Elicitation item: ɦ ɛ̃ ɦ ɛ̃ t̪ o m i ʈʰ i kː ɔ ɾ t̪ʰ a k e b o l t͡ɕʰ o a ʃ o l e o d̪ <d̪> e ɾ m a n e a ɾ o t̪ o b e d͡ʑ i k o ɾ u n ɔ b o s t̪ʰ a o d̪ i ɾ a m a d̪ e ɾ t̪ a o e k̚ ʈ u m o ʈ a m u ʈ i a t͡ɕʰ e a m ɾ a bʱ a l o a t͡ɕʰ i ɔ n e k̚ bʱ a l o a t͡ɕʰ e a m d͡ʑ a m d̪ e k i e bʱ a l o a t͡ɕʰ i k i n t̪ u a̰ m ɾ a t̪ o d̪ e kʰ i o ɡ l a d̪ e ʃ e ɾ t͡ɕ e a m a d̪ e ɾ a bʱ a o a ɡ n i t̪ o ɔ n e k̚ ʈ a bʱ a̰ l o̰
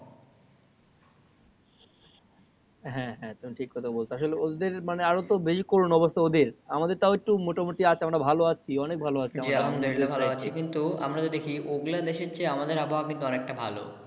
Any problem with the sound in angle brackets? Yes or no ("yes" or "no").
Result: no